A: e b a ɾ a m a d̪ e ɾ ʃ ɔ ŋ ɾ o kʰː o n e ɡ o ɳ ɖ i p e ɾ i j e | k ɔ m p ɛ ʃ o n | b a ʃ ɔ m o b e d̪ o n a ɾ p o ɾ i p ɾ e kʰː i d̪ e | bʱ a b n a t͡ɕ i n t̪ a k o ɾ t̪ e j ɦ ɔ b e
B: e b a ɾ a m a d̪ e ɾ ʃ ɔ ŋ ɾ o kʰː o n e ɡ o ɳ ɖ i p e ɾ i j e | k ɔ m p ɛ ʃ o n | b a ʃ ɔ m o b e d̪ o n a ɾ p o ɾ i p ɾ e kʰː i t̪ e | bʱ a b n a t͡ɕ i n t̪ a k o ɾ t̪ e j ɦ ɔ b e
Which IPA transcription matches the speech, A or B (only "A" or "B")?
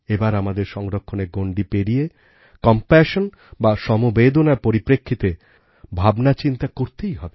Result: B